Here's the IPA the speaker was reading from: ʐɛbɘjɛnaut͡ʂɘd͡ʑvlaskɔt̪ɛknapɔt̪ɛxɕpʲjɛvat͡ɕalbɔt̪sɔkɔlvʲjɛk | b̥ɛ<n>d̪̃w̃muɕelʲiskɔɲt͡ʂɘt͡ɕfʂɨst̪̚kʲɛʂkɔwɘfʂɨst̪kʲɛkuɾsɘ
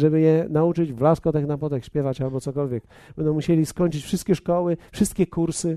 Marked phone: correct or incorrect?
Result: correct